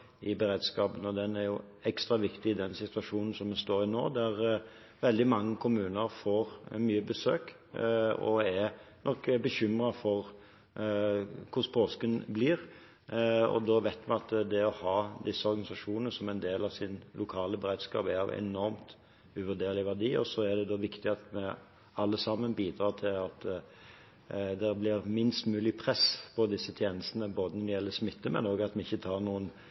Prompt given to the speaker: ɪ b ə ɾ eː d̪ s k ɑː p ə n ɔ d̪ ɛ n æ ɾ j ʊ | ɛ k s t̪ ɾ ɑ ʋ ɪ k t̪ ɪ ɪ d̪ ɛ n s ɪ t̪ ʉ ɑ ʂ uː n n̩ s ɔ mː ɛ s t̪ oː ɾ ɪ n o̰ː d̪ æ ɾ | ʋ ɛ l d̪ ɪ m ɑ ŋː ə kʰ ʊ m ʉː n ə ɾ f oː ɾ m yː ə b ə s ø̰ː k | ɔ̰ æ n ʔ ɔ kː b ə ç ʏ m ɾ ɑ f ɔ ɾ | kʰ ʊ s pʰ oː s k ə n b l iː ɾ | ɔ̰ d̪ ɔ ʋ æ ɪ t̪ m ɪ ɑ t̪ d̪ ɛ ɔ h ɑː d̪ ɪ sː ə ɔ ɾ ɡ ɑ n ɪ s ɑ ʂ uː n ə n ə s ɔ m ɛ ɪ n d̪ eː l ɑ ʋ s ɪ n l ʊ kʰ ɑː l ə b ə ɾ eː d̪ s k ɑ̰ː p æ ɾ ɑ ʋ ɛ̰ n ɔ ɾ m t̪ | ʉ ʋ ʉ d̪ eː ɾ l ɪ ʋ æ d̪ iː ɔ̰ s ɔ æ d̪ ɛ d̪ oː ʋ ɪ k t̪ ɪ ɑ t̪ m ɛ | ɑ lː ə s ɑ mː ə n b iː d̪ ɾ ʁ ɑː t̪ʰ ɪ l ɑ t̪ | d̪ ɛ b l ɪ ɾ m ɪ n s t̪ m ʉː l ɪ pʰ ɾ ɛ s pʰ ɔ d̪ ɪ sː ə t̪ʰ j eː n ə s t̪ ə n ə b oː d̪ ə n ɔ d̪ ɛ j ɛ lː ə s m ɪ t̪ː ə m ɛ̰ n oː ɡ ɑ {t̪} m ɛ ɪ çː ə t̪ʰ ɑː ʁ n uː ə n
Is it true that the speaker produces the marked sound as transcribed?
yes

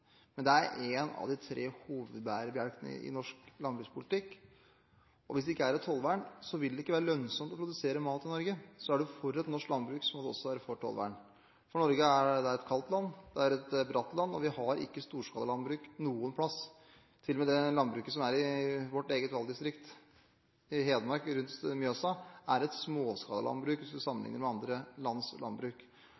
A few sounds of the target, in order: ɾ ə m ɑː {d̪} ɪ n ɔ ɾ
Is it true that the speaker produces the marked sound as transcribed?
no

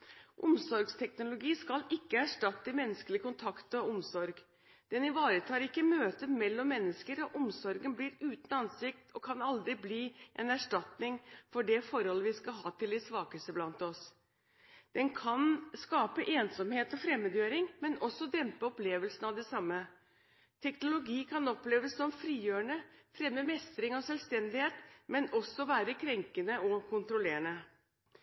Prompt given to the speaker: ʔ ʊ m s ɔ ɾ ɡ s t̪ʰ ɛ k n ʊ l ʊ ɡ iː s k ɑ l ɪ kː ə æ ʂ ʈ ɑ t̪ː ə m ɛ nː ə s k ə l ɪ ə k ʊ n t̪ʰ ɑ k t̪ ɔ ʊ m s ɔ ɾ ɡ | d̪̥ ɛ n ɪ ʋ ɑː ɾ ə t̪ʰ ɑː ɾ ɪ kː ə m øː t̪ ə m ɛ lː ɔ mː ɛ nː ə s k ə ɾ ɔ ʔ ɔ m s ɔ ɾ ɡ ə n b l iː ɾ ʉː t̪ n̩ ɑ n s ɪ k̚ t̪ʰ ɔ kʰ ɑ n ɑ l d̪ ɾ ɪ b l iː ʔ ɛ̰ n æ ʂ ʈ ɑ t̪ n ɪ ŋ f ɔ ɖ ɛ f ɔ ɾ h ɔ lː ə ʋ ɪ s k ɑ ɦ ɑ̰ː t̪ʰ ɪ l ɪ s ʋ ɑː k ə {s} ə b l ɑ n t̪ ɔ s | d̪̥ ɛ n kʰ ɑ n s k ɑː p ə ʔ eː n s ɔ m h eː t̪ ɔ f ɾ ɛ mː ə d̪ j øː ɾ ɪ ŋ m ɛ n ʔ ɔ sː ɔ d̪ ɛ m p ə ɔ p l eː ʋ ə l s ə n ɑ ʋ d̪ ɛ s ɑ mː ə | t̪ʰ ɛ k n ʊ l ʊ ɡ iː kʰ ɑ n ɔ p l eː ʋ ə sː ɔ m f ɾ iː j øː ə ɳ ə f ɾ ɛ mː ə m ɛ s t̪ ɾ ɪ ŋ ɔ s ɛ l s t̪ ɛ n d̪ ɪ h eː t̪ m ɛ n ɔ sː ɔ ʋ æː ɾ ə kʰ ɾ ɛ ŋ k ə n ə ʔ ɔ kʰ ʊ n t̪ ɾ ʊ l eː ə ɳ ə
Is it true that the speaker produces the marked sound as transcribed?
yes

